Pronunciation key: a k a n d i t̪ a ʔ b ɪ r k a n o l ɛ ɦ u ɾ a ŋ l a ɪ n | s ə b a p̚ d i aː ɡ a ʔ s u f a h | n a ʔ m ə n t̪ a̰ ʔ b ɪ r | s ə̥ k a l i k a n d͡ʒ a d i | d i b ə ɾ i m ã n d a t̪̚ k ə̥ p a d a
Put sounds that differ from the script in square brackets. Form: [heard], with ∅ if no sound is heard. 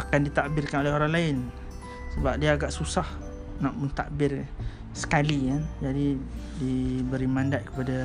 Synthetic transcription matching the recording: a k a n d i t̪ a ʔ b ɪ r k a n o l ɛ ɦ [o] ɾ a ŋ l a ɪ n | s ə b a p̚ d i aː ɡ a ʔ s u [s] a h | n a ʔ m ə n t̪ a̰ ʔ b ɪ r | s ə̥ k a l i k a n d͡ʒ a d i | d i b ə ɾ i m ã n d a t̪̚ k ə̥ p a d a